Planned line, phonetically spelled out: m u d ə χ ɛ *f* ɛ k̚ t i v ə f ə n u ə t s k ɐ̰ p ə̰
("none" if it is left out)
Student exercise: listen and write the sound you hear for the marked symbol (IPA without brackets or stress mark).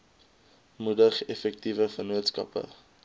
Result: f